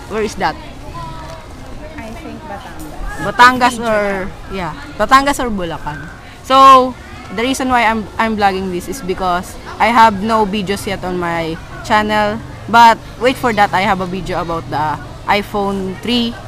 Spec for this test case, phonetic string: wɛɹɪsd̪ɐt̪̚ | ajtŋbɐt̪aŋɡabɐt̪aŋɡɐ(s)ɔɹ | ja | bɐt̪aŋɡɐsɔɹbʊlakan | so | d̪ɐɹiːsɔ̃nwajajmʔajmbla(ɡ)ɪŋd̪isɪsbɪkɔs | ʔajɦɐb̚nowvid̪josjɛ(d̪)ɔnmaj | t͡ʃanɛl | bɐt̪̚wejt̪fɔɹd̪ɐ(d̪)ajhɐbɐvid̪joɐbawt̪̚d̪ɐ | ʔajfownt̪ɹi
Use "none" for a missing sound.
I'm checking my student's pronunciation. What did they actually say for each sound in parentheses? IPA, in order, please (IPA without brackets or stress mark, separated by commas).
s, ɡ, t̪, t̪